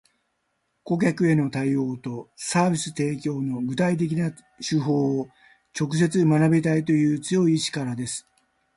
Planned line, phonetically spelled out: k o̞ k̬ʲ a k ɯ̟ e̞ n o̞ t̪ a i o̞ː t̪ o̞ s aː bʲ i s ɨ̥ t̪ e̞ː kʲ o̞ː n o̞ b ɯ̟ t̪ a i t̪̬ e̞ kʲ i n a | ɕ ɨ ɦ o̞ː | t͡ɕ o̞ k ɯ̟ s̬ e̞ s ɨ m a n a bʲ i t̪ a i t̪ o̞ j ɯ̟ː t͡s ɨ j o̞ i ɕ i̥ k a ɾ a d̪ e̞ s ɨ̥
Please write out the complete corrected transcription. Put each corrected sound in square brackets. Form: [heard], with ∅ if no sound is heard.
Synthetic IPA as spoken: k o̞ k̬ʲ a k ɯ̟ e̞ n o̞ t̪ a i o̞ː t̪ o̞ s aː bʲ i s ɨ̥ t̪ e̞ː kʲ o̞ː n o̞ [ɡ] ɯ̟ t̪ a i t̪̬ e̞ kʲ i n a | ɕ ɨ ɦ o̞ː | t͡ɕ o̞ k ɯ̟ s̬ e̞ [t͡s] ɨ m a n a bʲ i t̪ a i t̪ o̞ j ɯ̟ː t͡s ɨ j o̞ i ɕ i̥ k a ɾ a d̪ e̞ s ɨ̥